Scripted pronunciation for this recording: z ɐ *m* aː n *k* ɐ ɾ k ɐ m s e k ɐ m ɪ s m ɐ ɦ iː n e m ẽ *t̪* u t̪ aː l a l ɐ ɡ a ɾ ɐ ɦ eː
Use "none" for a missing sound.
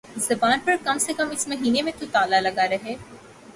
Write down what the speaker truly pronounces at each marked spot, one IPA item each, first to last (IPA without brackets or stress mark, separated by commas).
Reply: b, p, t̪